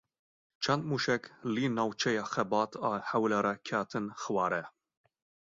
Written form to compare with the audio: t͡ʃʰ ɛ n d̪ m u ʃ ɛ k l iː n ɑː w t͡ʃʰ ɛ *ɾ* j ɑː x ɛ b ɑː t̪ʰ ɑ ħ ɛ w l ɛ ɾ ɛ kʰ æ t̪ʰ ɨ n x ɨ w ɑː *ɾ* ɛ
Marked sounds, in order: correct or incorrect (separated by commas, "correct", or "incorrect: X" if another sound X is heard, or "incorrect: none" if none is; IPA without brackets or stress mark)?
incorrect: none, correct